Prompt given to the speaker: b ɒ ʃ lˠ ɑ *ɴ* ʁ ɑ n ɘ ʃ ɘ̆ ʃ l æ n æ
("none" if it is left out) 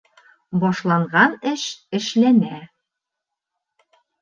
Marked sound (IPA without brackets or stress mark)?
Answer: ɴ